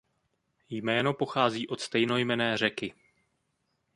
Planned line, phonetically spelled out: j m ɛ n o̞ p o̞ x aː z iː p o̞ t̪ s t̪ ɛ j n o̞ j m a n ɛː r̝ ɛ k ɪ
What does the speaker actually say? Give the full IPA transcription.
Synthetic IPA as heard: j m ɛː n o̞ p o̞ x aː z iː ʔ o̞ t̪ s t̪ ɛ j n o̞ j m ɛ n ɛː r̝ ɛ k ɪ